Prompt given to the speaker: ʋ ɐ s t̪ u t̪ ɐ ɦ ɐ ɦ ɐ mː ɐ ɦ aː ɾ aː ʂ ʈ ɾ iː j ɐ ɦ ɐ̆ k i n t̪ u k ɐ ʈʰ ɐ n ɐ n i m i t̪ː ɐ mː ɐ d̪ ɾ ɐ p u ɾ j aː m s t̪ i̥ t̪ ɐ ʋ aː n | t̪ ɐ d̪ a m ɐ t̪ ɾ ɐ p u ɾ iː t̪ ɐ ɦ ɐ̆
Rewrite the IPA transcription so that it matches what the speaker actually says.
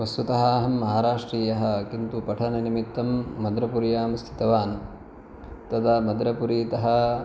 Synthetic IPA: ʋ ɐ s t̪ u t̪ ɐ ɦ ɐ ɦ ɐ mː ɐ ɦ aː ɾ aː ʂ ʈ ɾ iː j ɐ ɦ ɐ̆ k i n t̪ u p ɐ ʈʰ ɐ n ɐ n i m i t̪ː ɐ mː ɐ d̪ ɾ ɐ p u ɾ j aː m s t̪ʰ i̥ t̪ ɐ ʋ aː n | t̪ ɐ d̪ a m ɐ d̪ ɾ ɐ p u ɾ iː t̪ ɐ ɦ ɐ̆